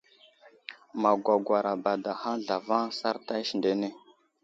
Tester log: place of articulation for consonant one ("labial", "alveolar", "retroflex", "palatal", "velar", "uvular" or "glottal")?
labial